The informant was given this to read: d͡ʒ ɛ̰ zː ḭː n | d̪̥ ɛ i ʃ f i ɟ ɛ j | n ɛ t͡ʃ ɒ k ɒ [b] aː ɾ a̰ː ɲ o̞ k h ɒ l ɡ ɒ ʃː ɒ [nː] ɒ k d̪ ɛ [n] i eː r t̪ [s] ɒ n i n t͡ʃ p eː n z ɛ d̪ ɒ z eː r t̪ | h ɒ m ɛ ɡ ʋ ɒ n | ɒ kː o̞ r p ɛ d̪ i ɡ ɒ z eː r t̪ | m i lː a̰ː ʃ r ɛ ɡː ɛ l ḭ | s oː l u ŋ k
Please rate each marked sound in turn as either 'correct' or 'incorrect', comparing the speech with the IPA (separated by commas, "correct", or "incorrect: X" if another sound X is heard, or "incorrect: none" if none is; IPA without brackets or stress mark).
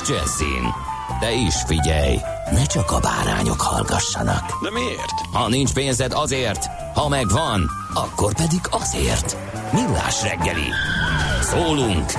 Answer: correct, incorrect: n, incorrect: m, incorrect: h